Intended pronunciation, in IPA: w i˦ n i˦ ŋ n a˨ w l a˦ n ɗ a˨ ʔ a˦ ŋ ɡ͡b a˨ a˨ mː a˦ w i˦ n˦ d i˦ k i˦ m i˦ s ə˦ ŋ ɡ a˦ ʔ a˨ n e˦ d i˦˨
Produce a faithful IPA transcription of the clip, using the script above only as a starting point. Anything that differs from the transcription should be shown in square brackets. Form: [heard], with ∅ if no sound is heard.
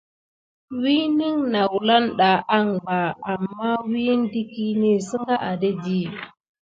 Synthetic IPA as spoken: w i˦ n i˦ ŋ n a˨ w l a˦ n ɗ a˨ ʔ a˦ ŋ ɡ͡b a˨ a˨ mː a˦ w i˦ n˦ d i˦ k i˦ [n] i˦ s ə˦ ŋ ɡ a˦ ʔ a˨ [d] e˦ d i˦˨